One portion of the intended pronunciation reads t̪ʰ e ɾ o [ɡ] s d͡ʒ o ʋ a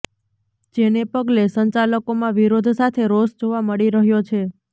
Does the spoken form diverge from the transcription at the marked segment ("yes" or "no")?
yes